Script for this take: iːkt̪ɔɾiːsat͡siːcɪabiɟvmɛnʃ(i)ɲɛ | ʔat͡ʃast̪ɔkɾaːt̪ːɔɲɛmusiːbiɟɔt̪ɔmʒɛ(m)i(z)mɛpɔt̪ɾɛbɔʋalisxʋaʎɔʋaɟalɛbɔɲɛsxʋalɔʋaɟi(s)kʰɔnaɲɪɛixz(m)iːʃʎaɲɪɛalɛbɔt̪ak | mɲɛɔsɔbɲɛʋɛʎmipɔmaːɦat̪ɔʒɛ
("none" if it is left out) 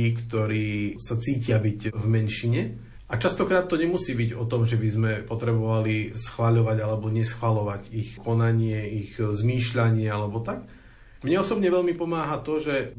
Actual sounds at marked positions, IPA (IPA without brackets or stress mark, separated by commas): i, b, z, x, m